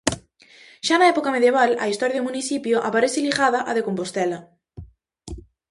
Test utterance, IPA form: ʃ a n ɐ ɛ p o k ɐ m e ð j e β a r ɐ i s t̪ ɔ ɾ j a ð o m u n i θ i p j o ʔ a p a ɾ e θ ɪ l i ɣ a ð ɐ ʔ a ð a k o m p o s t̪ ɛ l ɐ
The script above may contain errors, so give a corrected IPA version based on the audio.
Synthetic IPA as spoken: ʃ a n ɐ ɛ p o k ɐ m e ð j e β a l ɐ i s t̪ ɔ ɾ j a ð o m u n i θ i p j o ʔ a p a ɾ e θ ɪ l i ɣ a ð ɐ ʔ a ð e k o m p o s t̪ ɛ l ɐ